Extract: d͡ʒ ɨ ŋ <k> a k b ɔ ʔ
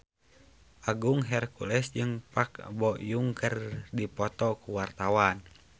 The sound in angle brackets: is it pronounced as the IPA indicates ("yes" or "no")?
no